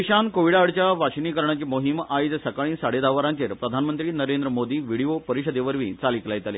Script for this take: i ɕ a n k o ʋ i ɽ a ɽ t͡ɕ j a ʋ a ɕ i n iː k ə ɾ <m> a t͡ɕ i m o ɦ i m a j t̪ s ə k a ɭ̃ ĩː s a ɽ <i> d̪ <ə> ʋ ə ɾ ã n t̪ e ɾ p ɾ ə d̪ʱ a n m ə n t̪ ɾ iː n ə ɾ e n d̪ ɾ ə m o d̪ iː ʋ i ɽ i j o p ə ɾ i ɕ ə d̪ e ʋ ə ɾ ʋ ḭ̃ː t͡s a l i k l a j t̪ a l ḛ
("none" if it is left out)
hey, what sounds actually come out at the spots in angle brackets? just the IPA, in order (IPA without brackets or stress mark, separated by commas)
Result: ɳ, e, a